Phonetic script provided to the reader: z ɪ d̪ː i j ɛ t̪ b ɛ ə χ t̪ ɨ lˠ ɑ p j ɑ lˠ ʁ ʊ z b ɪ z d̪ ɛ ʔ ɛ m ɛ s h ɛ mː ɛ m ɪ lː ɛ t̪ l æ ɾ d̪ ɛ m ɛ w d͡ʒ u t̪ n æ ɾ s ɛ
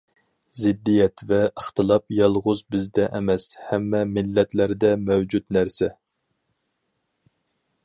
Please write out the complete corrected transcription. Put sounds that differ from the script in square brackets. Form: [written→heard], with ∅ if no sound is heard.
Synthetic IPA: z ɪ d̪ː i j ɛ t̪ [b→v] ɛ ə χ t̪ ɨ lˠ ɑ p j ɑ lˠ ʁ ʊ z b ɪ z d̪ ɛ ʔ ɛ m ɛ s h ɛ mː ɛ m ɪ lː ɛ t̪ l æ ɾ d̪ ɛ m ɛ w d͡ʒ u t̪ n æ ɾ s ɛ